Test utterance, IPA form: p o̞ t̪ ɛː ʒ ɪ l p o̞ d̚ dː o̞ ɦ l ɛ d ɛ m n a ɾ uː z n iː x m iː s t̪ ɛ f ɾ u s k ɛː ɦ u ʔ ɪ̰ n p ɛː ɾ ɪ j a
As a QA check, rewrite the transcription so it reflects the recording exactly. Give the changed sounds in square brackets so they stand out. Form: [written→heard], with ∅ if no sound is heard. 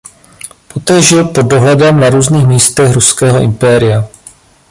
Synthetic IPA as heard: p o̞ t̪ ɛː ʒ ɪ l p o̞ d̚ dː o̞ ɦ l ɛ d ɛ m n a ɾ uː z n iː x m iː s t̪ ɛ [f→x] ɾ u s k ɛː ɦ [u→o] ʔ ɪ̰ [n→m] p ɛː ɾ ɪ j a